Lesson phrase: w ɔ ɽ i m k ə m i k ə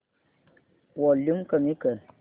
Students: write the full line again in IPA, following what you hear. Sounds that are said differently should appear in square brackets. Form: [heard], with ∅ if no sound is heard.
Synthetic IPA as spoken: w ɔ [l] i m k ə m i k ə